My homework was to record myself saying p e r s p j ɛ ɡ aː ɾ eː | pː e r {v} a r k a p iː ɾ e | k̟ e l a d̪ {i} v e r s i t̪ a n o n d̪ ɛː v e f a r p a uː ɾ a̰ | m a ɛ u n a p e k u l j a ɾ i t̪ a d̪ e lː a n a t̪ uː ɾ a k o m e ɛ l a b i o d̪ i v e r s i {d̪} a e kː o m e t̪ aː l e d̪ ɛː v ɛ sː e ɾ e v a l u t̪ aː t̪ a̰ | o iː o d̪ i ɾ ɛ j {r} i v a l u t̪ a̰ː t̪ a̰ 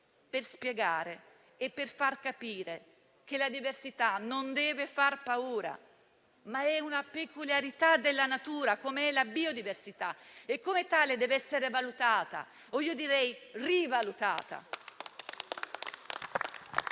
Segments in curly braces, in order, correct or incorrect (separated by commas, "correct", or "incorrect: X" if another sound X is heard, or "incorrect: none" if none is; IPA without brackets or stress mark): incorrect: f, correct, incorrect: t̪, correct